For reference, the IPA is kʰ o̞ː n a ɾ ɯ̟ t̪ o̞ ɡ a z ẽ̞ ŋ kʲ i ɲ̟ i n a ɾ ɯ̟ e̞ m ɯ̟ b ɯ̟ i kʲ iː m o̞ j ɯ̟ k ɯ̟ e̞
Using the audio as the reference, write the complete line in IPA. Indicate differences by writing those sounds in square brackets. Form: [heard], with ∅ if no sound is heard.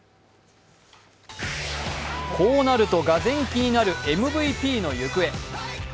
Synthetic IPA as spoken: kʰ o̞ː n a ɾ ɯ̟ t̪ o̞ ɡ a z ẽ̞ ŋ kʲ i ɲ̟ i n a ɾ ɯ̟ e̞ m ɯ̟ b ɯ̟ i [pʲ] iː [n] o̞ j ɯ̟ k ɯ̟ e̞